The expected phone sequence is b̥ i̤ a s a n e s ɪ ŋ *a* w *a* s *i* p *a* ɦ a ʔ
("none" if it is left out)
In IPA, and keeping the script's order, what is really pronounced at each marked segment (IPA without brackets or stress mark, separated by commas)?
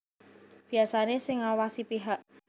a, a, i, i